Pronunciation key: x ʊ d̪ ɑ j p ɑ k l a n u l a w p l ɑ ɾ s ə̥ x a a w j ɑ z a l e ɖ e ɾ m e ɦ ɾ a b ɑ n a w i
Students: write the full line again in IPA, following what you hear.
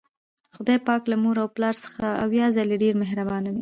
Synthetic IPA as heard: x ʊ d̪ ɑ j p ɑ k l a m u ɾ a w p l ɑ ɾ s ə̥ x a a w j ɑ z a l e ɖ e ɾ m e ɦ ɾ a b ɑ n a w i